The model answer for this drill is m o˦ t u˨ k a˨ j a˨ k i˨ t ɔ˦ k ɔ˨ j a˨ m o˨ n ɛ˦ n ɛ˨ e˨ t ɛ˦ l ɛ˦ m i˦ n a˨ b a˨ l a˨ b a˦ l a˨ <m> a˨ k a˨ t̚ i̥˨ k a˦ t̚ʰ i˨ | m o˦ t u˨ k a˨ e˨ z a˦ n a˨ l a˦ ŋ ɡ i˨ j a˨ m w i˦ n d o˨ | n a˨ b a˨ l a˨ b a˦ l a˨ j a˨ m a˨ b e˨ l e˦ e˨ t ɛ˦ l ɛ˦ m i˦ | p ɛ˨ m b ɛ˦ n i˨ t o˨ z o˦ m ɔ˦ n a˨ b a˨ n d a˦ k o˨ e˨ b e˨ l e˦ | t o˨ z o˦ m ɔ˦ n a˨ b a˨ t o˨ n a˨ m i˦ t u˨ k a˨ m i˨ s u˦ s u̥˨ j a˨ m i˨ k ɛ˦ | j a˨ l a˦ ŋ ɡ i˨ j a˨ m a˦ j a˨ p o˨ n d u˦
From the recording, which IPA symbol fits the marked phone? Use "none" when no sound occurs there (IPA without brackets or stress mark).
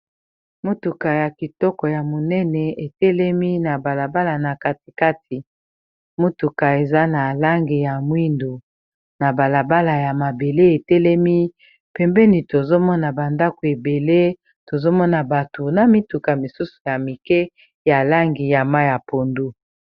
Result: n